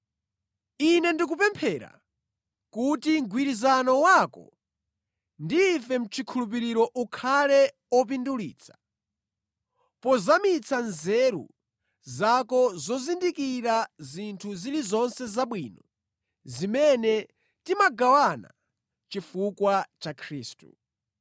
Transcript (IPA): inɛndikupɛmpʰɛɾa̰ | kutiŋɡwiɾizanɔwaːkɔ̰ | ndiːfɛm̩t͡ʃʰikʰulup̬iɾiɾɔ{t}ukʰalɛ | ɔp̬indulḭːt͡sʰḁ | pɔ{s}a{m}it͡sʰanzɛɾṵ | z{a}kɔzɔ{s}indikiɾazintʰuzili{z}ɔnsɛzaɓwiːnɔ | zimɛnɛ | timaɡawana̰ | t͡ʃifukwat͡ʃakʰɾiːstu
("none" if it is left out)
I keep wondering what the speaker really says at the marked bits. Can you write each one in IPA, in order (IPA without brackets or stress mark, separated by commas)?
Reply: ʔ, z, m, a, z, z